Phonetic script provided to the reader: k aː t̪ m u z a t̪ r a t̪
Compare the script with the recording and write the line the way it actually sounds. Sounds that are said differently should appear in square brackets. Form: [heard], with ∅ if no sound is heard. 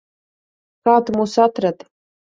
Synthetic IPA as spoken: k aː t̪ m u [s] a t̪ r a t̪